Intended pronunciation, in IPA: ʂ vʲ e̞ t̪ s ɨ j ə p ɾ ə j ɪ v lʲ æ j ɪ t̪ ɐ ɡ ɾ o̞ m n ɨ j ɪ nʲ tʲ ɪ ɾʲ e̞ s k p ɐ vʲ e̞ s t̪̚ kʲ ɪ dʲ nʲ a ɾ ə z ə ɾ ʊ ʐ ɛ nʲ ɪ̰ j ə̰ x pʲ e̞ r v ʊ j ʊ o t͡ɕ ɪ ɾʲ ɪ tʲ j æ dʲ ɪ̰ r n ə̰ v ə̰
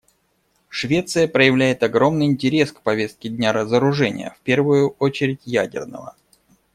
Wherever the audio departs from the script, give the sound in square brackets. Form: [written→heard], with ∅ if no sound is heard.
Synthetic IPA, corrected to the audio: ʂ vʲ e̞ t̪ s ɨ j ə p ɾ ə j ɪ v lʲ æ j ɪ t̪ ɐ ɡ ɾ o̞ m n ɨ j ɪ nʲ tʲ ɪ ɾʲ e̞ s k p ɐ vʲ e̞ s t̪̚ kʲ ɪ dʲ nʲ a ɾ ə z ə ɾ ʊ ʐ ɛ nʲ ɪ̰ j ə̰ [x→f] pʲ e̞ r v ʊ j ʊ o t͡ɕ ɪ ɾʲ ɪ tʲ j æ dʲ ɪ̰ r n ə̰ v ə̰